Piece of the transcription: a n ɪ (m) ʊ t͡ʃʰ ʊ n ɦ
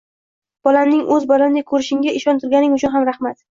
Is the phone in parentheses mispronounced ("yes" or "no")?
yes